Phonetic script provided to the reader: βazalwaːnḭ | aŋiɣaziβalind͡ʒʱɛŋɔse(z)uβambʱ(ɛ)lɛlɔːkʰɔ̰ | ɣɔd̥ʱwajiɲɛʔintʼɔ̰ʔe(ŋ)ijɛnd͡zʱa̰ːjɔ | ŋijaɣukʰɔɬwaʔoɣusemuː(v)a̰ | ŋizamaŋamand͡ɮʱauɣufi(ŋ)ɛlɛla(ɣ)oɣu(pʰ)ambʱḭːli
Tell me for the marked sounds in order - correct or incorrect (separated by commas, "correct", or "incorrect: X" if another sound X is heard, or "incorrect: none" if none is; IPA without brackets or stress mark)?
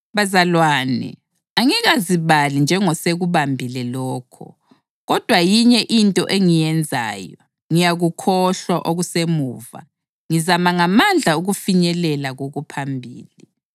incorrect: ɣ, incorrect: i, correct, correct, incorrect: ɲ, correct, correct